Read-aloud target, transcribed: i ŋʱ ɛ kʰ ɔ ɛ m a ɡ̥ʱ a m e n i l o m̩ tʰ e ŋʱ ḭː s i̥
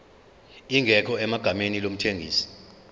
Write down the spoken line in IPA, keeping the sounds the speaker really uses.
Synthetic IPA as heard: i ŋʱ ɛ kʰ ɔ ɛ m a ɡ̥ʱ a m e n i l o m̩ tʰ e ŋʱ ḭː s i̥